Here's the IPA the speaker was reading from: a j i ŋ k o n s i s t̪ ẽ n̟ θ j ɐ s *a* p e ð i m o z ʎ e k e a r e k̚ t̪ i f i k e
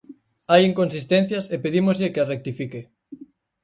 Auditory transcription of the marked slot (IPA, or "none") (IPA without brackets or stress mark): e